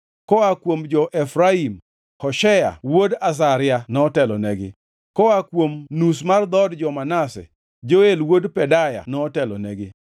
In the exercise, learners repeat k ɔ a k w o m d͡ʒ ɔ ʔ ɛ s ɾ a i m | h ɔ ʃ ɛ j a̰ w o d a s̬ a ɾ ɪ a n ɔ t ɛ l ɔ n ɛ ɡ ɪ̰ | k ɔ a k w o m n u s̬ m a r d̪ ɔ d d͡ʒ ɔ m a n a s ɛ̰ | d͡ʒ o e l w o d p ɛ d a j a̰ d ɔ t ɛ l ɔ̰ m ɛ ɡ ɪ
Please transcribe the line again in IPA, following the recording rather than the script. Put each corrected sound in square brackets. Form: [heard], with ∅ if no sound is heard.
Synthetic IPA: k ɔ a k w o m d͡ʒ ɔ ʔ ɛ [f] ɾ a i m | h ɔ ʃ ɛ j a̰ w o d a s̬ a ɾ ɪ a n ɔ t ɛ l ɔ n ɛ ɡ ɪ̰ | k ɔ a k w o m n u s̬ m a r d̪ ɔ d d͡ʒ ɔ m a n a s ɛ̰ | d͡ʒ o e l w o d p ɛ d a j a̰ [n] ɔ t ɛ l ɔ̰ [n] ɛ ɡ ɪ